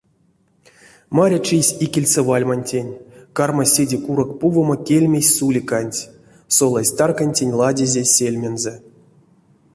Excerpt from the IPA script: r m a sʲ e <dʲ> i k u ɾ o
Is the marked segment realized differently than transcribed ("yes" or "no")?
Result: no